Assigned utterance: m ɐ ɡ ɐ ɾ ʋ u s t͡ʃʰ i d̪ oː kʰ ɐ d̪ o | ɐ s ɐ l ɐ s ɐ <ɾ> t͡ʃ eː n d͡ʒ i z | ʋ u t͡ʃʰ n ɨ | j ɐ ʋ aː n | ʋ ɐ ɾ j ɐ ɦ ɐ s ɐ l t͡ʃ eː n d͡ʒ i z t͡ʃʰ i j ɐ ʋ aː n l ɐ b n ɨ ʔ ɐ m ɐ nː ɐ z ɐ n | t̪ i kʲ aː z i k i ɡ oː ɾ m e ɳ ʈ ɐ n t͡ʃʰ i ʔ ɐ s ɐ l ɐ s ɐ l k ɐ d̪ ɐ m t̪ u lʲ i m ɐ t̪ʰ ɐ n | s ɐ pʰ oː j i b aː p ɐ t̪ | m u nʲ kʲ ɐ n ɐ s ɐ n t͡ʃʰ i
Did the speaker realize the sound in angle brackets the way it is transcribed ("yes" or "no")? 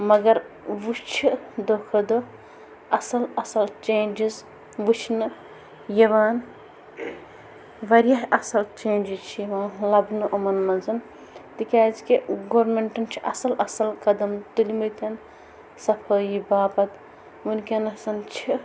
no